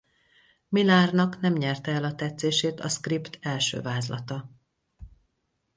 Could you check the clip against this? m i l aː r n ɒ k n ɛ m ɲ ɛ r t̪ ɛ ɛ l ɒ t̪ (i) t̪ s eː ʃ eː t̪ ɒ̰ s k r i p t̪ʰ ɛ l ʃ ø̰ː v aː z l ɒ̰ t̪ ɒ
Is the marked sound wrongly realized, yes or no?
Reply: yes